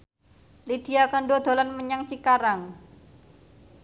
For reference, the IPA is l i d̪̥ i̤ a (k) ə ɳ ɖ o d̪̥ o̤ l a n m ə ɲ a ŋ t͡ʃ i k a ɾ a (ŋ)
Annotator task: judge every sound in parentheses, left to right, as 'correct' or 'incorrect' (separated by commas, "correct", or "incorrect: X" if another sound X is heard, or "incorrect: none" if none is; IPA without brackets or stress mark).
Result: correct, correct